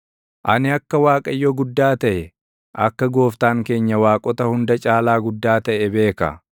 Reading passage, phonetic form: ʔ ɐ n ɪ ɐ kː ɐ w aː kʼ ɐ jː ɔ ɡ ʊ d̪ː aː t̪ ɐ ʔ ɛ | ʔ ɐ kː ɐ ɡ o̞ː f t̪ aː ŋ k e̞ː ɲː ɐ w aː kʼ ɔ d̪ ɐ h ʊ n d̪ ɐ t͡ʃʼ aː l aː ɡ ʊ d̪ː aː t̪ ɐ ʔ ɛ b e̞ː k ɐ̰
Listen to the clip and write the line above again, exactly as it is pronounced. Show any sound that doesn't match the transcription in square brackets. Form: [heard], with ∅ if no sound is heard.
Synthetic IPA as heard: ʔ ɐ n ɪ ɐ kː ɐ w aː kʼ ɐ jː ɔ ɡ ʊ d̪ː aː t̪ ɐ ʔ ɛ | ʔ ɐ kː ɐ ɡ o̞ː f t̪ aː ŋ k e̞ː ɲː ɐ w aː kʼ ɔ [t̪] ɐ h ʊ n d̪ ɐ t͡ʃʼ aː l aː ɡ ʊ d̪ː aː t̪ ɐ ʔ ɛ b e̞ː k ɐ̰